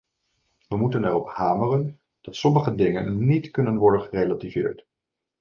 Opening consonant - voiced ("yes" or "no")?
yes